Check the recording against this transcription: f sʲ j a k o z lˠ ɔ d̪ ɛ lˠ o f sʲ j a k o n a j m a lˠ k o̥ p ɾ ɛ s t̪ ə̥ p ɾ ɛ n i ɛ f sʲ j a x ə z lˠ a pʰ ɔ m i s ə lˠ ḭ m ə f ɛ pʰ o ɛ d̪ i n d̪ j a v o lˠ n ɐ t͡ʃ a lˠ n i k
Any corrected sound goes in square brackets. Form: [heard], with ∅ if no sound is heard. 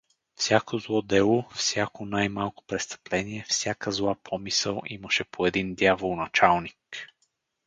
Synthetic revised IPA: f sʲ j a k o z lˠ ɔ d̪ ɛ lˠ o f sʲ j a k o n a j m a lˠ k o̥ p ɾ ɛ s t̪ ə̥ p [l] ɛ n i ɛ f sʲ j a [k] ə z lˠ a pʰ ɔ m i s ə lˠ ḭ m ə [ʃ] ɛ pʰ o ɛ d̪ i n d̪ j a v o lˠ n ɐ t͡ʃ a lˠ n i k